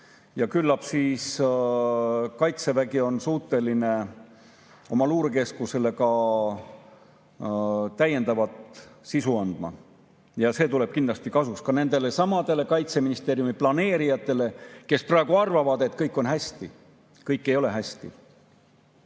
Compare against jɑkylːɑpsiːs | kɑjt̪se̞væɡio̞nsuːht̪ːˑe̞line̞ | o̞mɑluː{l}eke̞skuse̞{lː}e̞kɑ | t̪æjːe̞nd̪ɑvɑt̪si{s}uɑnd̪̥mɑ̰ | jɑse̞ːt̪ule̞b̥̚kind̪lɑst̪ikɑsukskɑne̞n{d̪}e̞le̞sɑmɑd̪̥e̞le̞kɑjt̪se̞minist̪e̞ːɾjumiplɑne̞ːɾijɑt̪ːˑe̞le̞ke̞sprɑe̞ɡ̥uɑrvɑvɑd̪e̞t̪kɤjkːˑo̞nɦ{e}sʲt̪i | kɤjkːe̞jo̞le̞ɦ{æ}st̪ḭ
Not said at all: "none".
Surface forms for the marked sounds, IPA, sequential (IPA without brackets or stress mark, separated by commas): ɾ, l, s, d̪, æ, æ